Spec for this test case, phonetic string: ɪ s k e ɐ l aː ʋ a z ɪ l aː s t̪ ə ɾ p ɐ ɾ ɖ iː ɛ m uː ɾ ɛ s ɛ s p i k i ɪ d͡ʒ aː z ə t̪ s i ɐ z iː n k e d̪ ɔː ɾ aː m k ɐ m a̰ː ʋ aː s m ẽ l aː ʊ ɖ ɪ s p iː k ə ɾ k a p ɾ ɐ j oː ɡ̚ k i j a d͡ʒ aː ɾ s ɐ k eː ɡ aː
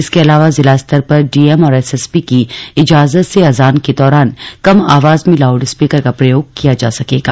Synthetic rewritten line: ɪ s k e ɐ l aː ʋ a z ɪ l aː s t̪ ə ɾ p ɐ ɾ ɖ iː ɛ m ɔː ɾ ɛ s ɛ s p i k i ɪ d͡ʒ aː z ə t̪ s e ɐ z aː n k e d̪ ɔː ɾ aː n k ɐ m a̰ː ʋ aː z m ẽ l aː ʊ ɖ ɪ s p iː k ə ɾ k a p ɾ ɐ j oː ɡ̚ k i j a d͡ʒ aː s ɐ k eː ɡ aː